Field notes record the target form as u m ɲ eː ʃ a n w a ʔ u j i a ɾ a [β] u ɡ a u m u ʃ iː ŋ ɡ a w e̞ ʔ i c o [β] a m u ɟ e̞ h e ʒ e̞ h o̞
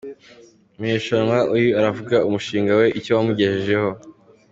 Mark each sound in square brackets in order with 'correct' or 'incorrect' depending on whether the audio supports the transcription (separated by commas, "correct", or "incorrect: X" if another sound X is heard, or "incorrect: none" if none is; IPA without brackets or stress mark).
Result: incorrect: v, incorrect: w